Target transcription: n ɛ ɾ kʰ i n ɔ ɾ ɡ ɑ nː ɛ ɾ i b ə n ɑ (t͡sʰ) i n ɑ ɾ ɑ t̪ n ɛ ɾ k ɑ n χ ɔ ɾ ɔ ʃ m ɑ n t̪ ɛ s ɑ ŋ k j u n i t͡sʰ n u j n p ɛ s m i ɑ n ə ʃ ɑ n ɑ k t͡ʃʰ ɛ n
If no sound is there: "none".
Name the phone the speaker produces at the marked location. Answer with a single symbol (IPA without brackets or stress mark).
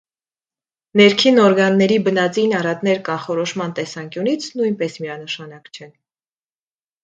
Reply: t͡s